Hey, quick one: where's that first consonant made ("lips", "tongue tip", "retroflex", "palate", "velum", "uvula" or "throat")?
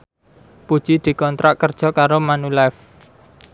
lips